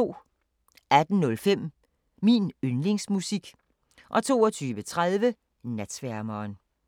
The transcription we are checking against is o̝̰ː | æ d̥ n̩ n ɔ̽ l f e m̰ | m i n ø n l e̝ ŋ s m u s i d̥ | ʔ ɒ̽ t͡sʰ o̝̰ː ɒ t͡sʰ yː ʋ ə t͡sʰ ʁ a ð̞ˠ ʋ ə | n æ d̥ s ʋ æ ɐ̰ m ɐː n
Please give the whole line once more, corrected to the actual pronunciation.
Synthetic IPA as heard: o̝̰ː | æ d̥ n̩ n ɔ̽ l f e m̰ | m i n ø n l e̝ ŋ s m u s i ɡ̥ | ʔ ɒ̽ t͡sʰ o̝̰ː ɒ t͡sʰ yː ʋ ə t͡sʰ ʁ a ð̞ˠ ʋ ə | n æ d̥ s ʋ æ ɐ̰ m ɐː n